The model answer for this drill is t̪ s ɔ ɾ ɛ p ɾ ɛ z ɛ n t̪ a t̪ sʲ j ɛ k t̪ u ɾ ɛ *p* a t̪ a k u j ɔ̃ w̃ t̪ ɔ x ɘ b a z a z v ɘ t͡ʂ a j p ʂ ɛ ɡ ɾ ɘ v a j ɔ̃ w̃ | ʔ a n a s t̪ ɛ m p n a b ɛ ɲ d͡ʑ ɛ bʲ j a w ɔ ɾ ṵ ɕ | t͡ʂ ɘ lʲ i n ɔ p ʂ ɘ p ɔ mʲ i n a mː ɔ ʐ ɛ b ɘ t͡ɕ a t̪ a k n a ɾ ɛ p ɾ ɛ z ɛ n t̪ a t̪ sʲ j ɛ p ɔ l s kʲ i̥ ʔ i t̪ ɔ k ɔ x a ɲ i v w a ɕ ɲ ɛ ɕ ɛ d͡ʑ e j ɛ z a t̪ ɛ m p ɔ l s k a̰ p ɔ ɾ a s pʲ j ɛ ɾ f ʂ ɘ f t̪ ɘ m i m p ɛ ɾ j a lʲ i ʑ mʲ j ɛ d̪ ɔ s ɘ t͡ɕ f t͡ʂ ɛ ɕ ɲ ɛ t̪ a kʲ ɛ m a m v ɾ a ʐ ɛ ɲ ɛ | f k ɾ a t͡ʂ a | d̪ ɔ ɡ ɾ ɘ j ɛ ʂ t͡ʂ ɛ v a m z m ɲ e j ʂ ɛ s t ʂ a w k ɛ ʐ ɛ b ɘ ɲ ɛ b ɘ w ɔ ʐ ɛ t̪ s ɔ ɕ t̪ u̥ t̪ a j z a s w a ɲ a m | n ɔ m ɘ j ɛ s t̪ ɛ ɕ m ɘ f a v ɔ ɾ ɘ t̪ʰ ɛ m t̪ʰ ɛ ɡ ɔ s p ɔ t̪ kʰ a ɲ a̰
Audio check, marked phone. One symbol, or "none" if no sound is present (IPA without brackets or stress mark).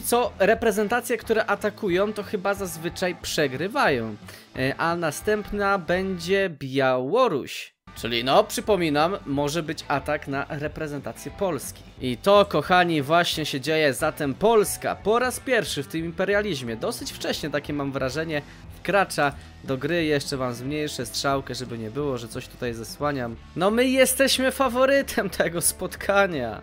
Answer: ʔ